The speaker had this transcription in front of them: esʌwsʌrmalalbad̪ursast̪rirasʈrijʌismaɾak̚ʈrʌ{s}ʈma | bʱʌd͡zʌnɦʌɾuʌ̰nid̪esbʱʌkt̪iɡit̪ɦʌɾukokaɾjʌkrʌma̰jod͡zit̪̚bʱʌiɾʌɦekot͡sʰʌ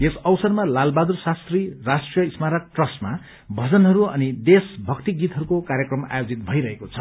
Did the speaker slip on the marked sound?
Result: no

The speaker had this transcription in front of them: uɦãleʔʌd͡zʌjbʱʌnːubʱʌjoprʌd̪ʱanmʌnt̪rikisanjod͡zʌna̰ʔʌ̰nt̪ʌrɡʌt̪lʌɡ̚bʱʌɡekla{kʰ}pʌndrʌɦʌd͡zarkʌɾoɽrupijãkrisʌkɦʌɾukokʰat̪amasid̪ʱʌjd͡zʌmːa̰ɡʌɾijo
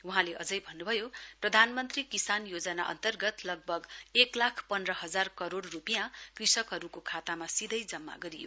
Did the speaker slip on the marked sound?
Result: no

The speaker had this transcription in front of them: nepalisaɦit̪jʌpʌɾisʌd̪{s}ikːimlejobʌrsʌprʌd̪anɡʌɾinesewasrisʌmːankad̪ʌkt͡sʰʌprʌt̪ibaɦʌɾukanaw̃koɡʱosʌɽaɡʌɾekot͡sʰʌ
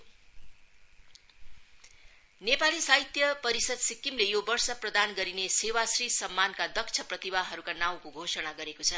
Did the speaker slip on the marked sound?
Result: no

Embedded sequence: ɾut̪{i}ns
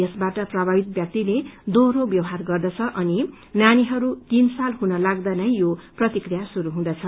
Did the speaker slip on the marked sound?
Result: no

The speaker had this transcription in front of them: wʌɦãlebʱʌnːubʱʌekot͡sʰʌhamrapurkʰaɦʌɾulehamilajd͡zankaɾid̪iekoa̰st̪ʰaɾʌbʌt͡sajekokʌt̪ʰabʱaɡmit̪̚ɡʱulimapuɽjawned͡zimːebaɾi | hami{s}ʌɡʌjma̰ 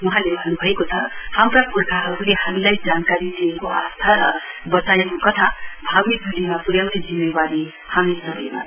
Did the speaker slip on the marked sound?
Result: no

